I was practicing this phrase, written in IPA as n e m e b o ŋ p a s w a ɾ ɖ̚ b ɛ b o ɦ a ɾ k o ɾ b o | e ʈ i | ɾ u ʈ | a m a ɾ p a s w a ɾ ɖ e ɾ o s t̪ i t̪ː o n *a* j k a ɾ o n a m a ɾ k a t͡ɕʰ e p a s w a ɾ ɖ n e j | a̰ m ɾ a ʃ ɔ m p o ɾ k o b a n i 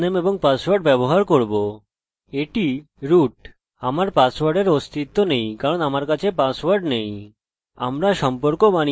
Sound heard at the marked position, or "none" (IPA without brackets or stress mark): e